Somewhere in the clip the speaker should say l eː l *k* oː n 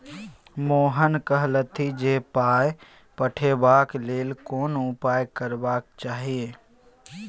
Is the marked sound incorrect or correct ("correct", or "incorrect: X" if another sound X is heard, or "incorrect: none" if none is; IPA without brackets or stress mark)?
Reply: correct